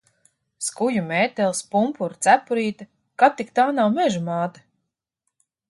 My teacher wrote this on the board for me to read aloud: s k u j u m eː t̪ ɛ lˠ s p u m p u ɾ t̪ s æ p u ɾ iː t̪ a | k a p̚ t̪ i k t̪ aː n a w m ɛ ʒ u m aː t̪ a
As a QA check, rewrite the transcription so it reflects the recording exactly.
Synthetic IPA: s k u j u m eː t̪ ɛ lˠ s p u m p u ɾ t̪ s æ p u ɾ iː t̪ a | k a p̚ t̪ i k t̪ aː n a w m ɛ ʒ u m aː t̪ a